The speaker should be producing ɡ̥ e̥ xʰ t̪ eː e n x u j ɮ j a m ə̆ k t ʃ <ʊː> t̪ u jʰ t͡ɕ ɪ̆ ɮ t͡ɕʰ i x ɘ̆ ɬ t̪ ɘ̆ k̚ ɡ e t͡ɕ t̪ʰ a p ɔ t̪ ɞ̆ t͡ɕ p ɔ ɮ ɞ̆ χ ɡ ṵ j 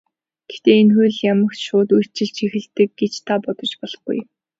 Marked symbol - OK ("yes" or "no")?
yes